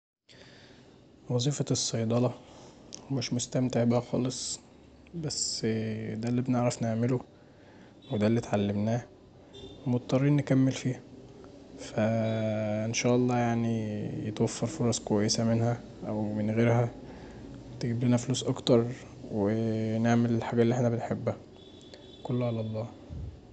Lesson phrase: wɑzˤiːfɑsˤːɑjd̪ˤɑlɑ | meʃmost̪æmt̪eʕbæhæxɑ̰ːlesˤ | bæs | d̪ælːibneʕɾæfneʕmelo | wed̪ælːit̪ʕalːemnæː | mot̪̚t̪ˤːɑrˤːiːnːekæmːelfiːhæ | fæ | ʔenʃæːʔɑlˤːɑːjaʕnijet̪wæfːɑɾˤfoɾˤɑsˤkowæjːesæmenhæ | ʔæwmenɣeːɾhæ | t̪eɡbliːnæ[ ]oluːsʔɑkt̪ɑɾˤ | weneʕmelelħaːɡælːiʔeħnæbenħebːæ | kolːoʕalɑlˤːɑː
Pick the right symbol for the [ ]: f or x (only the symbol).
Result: f